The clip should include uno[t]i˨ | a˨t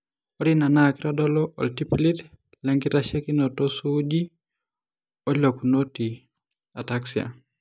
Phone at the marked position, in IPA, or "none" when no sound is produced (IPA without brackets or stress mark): t